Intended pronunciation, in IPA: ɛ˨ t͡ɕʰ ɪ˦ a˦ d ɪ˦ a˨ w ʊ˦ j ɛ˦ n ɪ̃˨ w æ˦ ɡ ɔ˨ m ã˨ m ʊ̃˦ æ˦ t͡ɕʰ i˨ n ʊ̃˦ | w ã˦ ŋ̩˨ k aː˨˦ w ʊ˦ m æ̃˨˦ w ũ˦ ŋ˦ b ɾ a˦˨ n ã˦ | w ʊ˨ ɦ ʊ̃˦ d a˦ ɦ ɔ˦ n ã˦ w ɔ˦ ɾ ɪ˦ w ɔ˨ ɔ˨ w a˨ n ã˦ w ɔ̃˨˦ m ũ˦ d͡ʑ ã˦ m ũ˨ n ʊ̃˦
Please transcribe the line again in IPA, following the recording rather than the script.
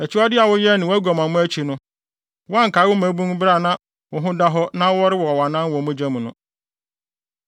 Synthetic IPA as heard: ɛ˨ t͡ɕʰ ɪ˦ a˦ d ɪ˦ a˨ w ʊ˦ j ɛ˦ n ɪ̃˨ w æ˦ ɡ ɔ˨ m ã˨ m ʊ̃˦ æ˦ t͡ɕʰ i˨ n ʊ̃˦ | w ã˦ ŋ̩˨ k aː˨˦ w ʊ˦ m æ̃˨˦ b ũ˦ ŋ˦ b ɾ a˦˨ n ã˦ | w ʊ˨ ɦ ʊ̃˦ d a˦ ɦ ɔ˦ n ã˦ w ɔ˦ ɾ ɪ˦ w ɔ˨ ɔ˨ w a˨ n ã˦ w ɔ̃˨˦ m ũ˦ d͡ʑ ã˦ m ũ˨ n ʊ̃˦

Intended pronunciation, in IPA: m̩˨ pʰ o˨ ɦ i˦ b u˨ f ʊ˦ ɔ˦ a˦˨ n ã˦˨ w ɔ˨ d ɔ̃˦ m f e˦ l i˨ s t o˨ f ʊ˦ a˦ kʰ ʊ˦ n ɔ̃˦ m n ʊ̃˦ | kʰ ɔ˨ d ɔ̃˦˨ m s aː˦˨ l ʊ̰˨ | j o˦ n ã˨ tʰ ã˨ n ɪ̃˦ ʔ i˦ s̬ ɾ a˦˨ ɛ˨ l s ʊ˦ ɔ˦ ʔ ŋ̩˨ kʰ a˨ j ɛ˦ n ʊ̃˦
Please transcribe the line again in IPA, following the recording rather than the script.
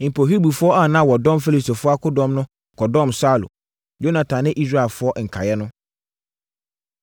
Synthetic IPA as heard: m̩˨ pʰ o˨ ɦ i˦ b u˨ f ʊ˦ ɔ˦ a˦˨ n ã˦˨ w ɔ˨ d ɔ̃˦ m f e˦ l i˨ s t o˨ f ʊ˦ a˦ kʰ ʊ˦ d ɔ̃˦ m n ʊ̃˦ | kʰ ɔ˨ d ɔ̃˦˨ m s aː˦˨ l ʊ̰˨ | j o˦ n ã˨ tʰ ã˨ n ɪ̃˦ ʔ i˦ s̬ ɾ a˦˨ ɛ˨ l f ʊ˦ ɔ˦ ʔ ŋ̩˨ kʰ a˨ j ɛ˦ n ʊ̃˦

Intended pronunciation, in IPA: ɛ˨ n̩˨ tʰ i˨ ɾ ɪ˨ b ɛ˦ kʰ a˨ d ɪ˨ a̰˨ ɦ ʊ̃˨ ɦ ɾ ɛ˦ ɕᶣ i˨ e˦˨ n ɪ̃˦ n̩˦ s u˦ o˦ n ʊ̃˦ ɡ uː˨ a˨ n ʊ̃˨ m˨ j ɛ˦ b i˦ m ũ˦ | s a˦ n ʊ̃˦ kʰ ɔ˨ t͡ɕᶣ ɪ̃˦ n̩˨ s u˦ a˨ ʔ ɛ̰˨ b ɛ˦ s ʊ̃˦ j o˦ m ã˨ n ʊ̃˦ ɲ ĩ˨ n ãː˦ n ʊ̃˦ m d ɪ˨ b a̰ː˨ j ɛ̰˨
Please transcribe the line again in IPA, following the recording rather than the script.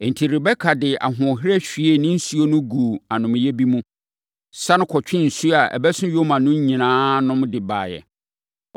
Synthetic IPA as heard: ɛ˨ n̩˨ tʰ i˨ ɾ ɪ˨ b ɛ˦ kʰ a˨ d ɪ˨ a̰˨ ɦ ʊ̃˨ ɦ ɾ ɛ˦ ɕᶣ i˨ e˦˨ n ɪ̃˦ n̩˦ s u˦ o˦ n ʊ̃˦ ɡ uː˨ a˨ n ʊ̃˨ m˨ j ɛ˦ b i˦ m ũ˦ | s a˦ n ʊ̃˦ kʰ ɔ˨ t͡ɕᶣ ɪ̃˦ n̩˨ s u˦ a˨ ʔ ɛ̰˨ b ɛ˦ s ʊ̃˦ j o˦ m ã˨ n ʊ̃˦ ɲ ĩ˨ n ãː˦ n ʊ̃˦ m d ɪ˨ b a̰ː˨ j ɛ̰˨

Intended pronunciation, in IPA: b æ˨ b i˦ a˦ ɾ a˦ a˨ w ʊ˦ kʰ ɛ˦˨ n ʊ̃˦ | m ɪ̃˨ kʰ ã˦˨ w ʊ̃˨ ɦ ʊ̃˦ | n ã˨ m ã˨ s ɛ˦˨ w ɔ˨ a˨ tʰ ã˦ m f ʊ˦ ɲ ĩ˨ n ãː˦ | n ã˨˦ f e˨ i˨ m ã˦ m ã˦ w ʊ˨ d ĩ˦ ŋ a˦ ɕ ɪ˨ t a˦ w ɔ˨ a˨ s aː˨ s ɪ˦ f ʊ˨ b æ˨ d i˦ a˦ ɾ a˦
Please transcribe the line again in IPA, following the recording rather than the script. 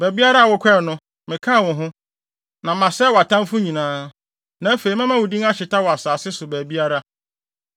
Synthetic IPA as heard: b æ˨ b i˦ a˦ ɾ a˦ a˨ w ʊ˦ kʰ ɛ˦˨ n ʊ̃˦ | m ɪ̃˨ kʰ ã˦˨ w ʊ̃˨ ɦ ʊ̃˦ | n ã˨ m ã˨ s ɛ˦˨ w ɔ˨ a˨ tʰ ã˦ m f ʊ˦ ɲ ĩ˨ n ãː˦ | n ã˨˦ f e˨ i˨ m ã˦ m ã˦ w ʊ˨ d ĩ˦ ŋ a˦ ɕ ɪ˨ t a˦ w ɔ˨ a˨ s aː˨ s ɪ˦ s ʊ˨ b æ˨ b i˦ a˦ ɾ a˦

